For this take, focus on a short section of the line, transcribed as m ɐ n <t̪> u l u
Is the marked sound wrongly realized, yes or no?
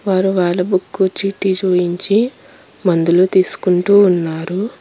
yes